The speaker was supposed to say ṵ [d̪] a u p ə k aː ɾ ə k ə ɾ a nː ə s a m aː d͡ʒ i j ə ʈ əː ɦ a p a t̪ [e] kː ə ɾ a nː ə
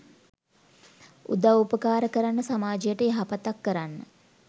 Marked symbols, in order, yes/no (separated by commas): yes, no